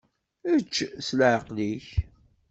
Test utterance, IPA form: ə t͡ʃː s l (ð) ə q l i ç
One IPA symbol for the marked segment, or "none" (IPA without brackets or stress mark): ʕ